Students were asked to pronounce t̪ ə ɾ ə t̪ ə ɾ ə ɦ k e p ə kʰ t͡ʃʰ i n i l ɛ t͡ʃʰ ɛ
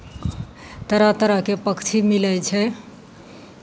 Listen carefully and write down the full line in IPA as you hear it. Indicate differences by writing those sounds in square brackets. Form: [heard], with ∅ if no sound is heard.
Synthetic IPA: t̪ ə ɾ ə t̪ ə ɾ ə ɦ k e p ə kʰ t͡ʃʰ i [m] i l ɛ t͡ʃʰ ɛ